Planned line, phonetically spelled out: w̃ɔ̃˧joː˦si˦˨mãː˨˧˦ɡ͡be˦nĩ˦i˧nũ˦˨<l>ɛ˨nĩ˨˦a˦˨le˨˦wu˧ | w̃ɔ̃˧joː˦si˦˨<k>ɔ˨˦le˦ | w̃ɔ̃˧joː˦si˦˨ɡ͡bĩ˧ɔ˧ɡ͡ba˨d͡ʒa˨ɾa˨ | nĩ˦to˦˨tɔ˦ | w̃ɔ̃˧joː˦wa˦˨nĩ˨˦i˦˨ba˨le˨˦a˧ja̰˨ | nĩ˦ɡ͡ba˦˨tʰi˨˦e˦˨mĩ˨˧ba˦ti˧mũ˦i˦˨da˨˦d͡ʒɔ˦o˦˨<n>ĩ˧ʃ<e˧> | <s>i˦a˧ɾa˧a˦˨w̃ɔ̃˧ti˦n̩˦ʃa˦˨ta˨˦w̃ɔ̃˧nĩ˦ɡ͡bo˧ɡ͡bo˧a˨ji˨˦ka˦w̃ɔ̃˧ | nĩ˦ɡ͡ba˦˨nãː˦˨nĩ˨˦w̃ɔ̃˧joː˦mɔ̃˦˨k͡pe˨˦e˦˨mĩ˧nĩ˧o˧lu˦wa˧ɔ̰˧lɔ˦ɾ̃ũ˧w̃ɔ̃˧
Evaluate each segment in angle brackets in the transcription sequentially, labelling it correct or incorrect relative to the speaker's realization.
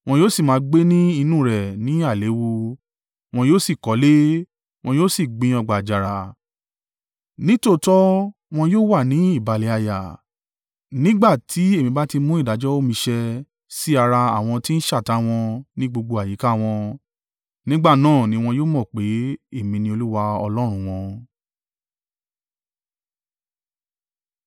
incorrect: ɾ, correct, incorrect: m, incorrect: ɛ˧, correct

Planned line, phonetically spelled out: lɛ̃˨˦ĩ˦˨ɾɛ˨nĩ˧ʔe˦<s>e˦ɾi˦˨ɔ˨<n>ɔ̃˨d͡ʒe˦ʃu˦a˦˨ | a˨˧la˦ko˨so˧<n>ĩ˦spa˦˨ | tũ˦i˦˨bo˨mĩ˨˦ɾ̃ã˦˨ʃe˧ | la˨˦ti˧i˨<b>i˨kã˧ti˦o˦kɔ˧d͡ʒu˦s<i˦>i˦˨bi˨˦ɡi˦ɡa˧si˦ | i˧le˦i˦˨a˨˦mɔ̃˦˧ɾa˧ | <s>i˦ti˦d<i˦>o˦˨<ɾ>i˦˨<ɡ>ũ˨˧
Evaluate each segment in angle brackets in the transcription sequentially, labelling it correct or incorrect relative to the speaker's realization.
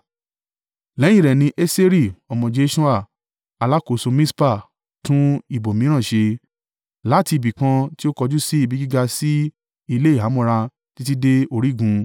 correct, incorrect: m, incorrect: m, correct, correct, incorrect: t, incorrect: e˦, correct, correct

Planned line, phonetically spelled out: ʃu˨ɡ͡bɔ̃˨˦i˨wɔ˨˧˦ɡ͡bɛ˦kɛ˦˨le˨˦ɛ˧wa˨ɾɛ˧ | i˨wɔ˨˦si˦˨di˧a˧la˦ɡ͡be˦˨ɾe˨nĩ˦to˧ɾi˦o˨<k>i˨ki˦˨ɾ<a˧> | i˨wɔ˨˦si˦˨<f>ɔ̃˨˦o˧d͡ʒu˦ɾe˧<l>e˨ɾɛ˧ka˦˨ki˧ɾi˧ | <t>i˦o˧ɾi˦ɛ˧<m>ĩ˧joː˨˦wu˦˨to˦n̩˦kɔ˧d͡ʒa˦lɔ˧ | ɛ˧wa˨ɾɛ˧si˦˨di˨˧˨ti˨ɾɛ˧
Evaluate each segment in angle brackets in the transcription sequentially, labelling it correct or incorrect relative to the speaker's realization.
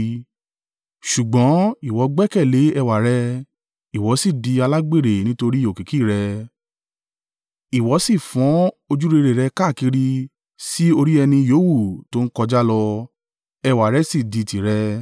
correct, incorrect: ɛ˧, correct, incorrect: ɾ, incorrect: s, incorrect: n

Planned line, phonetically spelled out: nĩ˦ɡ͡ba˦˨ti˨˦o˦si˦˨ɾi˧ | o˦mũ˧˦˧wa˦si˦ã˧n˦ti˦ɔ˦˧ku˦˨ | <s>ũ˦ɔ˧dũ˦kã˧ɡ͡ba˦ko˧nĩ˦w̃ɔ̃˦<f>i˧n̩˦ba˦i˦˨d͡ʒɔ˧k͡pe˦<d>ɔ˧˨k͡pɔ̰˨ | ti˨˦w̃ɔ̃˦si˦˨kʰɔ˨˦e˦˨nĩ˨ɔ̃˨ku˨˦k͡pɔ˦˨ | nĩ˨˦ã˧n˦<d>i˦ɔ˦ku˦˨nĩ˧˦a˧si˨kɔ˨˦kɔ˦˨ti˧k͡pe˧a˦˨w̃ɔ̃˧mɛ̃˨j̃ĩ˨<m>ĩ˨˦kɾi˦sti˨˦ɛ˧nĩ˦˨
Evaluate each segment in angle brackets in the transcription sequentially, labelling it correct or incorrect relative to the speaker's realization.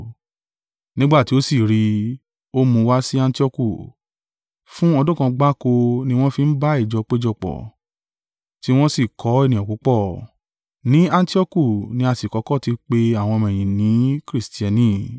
incorrect: f, correct, incorrect: d͡ʒ, incorrect: t, incorrect: n

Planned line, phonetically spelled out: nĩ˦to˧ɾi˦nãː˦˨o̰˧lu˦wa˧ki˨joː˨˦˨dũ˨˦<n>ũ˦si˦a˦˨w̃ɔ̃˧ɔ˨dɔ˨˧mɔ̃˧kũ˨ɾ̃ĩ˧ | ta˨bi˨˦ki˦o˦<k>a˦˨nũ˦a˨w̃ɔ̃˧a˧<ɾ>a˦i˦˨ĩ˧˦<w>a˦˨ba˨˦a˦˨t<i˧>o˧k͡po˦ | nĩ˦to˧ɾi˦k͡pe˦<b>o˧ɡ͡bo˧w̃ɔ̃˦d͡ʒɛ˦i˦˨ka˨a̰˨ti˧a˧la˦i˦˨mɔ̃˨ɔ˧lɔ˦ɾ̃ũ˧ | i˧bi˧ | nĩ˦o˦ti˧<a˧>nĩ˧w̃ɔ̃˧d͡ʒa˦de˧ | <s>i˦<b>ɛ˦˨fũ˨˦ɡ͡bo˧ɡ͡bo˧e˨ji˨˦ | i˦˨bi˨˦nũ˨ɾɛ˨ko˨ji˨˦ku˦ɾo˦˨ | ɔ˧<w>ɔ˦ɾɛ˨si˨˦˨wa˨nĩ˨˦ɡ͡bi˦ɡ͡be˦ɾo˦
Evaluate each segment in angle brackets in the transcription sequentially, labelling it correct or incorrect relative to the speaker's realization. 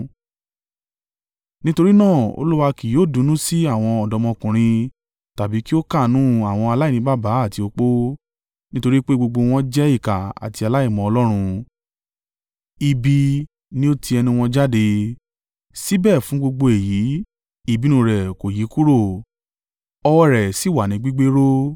correct, correct, incorrect: l, incorrect: b, correct, incorrect: ɡ͡b, incorrect: ɛ˧, correct, correct, correct

